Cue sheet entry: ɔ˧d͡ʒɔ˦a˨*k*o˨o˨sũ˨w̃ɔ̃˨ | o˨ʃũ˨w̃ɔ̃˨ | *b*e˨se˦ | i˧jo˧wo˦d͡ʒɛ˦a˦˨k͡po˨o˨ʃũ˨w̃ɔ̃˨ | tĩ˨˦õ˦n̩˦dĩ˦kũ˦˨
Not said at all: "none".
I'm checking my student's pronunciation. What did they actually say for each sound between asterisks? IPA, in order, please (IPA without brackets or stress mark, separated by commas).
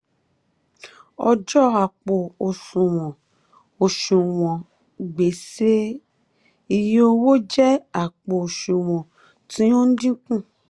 k͡p, ɡ͡b